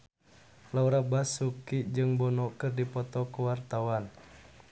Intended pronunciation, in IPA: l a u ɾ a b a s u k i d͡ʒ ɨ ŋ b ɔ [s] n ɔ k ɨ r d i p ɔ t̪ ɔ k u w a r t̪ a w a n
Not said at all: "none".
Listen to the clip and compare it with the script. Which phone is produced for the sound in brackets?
none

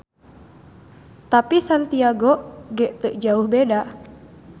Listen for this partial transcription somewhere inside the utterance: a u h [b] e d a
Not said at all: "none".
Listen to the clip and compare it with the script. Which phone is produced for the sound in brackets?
b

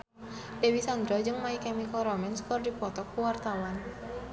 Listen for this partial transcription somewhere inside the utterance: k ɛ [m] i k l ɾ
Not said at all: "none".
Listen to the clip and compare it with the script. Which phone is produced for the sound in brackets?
m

